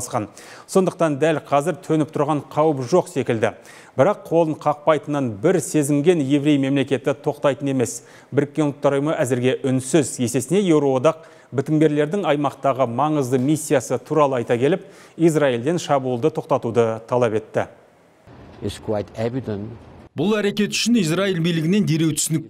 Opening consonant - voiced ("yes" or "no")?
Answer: no